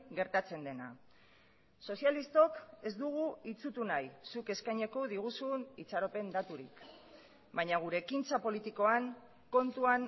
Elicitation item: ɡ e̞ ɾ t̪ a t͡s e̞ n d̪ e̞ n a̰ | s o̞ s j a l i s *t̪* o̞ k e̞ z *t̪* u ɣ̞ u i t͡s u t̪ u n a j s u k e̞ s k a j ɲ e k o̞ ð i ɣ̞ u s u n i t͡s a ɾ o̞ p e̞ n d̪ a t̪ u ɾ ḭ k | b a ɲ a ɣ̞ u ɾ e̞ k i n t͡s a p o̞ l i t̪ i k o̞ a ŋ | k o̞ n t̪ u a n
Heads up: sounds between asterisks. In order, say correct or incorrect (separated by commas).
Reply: correct, incorrect